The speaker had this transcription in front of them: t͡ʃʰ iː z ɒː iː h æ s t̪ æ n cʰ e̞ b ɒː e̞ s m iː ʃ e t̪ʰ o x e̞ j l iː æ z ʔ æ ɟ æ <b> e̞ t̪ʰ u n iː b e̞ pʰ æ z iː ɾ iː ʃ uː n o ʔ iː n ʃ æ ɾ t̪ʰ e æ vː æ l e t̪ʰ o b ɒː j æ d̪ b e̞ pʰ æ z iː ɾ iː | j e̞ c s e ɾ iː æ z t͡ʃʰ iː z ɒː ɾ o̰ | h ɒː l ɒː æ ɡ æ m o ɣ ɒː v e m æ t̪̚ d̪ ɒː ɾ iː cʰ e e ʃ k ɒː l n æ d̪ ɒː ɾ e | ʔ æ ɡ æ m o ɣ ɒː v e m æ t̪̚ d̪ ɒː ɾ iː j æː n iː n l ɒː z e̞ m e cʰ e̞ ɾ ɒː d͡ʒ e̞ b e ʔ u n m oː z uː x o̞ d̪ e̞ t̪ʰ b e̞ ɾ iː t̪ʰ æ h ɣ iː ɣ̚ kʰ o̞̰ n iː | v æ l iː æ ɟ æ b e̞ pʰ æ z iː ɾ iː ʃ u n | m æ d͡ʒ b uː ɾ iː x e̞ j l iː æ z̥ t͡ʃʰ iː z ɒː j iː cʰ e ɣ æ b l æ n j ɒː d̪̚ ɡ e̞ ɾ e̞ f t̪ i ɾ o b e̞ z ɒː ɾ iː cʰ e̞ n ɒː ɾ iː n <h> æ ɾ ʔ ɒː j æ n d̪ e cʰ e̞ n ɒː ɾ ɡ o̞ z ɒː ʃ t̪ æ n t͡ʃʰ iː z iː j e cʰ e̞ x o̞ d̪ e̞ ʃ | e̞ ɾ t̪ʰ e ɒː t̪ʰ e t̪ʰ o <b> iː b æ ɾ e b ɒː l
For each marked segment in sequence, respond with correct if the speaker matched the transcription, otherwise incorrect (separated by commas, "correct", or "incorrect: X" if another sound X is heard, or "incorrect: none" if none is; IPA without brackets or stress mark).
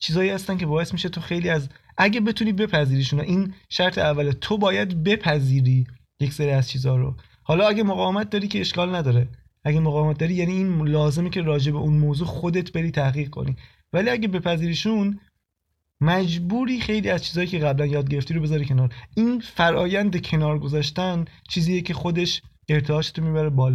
correct, incorrect: f, incorrect: m